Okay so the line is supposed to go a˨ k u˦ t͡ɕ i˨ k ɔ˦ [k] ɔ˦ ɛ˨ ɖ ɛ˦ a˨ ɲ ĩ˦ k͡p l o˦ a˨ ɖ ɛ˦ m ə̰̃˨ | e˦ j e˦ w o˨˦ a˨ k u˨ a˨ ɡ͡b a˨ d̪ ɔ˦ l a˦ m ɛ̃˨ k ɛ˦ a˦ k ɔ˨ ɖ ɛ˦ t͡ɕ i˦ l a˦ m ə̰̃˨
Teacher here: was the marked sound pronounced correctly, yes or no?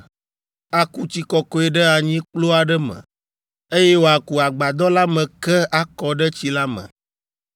yes